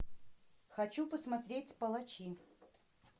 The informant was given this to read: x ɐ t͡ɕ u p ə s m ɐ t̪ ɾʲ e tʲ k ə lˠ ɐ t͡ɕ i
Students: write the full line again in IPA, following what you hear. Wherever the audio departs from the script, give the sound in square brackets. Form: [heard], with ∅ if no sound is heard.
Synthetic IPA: x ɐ t͡ɕ u p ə s m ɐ t̪ ɾʲ e tʲ [p] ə lˠ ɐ t͡ɕ i